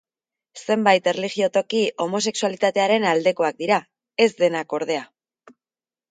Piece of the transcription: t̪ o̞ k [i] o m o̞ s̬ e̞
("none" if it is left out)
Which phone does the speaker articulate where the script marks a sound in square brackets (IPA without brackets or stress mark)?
i